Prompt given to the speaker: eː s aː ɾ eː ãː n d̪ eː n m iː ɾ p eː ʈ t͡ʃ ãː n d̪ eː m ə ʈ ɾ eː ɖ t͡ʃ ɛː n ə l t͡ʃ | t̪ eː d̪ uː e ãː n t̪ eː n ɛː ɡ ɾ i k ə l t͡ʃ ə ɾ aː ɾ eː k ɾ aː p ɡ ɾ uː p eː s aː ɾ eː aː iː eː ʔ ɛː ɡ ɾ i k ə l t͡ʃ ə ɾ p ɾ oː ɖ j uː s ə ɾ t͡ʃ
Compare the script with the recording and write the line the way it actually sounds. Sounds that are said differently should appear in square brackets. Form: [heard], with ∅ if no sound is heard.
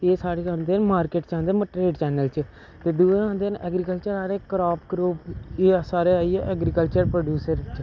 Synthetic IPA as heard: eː s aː ɾ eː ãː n d̪ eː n m [aː] ɾ [k] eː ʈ t͡ʃ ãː n d̪ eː m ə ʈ ɾ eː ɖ t͡ʃ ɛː n ə l t͡ʃ | t̪ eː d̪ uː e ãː n [d̪] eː n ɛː ɡ ɾ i k ə l t͡ʃ ə ɾ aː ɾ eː k ɾ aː p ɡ ɾ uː p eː s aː ɾ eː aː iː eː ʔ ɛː ɡ ɾ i k ə l t͡ʃ ə ɾ p ɾ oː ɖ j uː s ə ɾ t͡ʃ